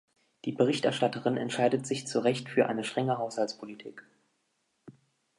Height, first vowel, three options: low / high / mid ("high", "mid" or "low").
high